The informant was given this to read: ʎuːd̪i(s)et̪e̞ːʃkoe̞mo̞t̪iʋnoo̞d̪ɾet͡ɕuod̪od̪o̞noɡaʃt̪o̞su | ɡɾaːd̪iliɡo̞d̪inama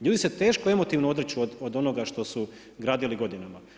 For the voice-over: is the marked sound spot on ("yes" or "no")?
yes